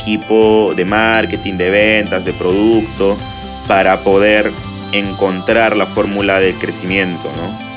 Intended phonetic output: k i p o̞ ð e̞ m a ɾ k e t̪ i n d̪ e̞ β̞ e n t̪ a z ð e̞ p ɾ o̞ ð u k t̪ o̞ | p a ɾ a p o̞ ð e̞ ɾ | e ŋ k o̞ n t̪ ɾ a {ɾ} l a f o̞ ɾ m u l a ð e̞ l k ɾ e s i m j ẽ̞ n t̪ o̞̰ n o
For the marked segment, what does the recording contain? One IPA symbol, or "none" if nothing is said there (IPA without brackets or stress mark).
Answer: ɾ